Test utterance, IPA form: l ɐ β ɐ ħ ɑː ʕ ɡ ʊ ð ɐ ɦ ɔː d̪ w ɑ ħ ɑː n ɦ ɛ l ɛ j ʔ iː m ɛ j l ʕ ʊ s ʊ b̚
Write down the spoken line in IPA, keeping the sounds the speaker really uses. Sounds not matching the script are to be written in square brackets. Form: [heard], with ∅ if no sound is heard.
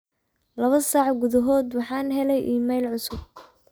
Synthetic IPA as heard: l ɐ β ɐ [s] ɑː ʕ ɡ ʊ ð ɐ ɦ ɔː d̪ w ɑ ħ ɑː n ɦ ɛ l ɛ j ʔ iː m ɛ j l ʕ ʊ s ʊ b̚